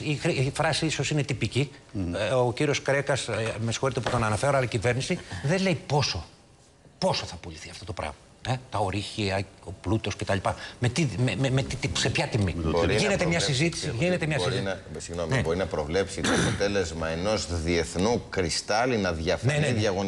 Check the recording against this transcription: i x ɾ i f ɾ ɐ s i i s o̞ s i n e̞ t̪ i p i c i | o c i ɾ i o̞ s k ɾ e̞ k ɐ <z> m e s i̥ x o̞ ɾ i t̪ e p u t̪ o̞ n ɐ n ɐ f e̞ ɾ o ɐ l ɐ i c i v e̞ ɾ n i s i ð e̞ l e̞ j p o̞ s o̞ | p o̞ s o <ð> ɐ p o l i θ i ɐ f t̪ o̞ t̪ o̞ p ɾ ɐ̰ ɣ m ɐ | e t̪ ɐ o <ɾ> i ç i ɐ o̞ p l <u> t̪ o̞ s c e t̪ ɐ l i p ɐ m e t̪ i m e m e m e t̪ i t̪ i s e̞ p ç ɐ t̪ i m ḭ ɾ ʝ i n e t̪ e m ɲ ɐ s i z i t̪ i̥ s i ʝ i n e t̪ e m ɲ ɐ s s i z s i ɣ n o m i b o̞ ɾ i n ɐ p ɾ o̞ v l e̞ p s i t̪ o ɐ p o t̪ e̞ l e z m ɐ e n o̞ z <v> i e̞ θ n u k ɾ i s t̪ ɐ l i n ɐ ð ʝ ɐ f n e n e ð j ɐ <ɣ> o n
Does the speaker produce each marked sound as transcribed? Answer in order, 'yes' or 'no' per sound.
no, no, yes, yes, no, yes

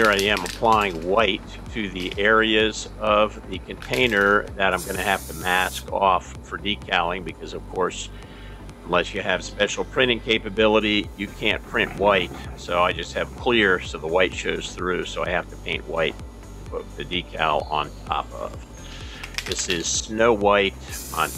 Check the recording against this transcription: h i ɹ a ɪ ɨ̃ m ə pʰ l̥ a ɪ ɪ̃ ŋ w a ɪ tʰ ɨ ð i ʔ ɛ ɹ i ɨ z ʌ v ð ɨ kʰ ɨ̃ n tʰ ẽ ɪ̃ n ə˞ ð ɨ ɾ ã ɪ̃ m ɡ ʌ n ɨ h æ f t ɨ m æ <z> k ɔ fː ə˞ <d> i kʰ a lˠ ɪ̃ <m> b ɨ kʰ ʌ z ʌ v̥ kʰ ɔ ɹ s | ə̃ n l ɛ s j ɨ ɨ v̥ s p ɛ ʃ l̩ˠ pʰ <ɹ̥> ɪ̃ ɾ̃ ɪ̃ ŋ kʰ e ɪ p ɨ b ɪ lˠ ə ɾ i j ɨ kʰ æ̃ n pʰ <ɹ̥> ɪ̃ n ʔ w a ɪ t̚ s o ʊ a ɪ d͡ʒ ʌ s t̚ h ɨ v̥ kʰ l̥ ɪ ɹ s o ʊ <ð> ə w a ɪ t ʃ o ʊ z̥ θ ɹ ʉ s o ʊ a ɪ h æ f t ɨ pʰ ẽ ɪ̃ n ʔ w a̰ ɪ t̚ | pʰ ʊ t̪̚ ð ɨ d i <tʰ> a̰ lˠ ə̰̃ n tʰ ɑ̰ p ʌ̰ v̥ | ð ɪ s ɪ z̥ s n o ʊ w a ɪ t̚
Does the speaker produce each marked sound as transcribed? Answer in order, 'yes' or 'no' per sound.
no, yes, no, yes, yes, yes, no

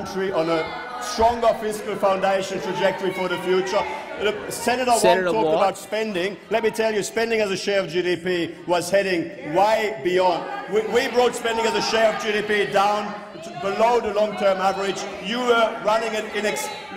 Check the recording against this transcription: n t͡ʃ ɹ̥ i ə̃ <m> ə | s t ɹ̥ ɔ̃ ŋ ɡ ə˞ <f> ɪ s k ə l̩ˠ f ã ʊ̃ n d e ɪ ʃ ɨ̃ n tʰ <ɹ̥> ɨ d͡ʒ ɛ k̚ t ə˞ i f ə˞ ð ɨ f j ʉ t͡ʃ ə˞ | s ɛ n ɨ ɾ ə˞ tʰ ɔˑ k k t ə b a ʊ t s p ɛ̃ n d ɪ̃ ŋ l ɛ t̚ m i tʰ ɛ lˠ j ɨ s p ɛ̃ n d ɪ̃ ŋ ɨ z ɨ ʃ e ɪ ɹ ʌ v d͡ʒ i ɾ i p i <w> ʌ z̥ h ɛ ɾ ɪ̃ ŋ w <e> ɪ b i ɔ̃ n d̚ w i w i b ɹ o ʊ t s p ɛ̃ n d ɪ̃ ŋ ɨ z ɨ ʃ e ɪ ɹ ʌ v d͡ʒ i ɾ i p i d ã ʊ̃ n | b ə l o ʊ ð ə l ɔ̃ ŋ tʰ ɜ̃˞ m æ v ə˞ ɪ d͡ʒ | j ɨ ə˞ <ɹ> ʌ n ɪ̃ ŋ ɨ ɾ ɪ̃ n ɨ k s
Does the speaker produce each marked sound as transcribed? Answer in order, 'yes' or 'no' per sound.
no, yes, yes, yes, no, yes

